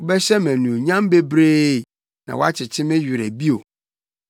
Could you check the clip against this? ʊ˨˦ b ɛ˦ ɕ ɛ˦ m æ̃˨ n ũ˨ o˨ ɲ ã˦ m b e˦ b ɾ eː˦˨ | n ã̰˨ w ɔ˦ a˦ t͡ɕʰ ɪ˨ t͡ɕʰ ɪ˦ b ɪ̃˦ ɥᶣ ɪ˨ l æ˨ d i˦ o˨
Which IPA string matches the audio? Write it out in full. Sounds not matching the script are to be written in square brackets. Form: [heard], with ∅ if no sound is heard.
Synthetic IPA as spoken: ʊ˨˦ b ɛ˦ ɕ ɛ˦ m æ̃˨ n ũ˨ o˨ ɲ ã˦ m b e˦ b ɾ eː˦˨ | n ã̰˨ w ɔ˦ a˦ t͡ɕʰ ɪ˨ t͡ɕʰ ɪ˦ [m] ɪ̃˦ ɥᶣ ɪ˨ [ɾ] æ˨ [b] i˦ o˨